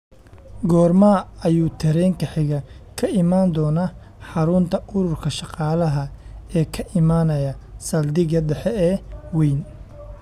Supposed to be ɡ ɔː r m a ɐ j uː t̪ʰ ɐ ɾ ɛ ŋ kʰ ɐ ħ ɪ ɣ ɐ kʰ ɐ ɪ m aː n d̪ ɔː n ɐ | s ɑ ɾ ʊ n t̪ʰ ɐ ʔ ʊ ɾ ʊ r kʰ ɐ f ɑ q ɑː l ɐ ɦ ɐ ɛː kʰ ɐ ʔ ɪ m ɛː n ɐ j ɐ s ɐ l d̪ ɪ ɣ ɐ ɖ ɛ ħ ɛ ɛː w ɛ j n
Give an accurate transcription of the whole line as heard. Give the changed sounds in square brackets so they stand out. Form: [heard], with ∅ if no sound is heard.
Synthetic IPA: ɡ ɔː r m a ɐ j uː t̪ʰ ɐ ɾ ɛ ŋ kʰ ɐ ħ ɪ ɣ ɐ kʰ ɐ ɪ m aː n d̪ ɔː n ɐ | [ħ] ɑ ɾ ʊ n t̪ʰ ɐ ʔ ʊ ɾ ʊ r kʰ ɐ [ʃ] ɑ q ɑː l ɐ ɦ ɐ ɛː kʰ ɐ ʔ ɪ m [aː] n ɐ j ɐ s ɐ l d̪ ɪ ɣ ɐ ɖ ɛ ħ ɛ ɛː w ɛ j n